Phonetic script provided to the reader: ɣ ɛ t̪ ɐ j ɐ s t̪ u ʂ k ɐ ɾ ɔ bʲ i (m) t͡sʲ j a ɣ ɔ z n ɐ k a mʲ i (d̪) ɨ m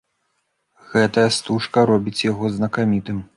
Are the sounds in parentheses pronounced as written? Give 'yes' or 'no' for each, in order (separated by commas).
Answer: no, no